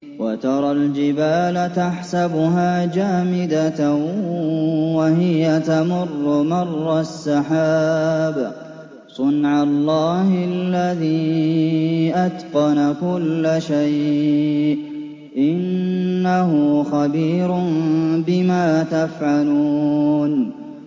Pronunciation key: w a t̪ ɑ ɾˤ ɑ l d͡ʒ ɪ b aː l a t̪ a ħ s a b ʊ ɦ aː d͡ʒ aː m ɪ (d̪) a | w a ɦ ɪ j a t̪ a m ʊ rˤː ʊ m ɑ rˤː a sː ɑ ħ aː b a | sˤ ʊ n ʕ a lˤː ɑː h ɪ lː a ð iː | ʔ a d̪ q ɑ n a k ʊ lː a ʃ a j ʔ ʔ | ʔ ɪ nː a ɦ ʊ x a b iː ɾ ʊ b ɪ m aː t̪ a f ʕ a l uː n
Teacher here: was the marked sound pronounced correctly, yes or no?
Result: yes